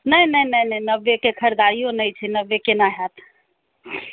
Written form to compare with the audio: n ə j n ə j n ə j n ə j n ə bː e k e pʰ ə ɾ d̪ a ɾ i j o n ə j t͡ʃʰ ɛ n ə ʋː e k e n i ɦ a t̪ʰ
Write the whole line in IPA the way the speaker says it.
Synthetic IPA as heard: n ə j n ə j n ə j n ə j n ə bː e k e kʰ ə ɾ d̪ a ɾ i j o n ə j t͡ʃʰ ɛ n ə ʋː e k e n a ɦ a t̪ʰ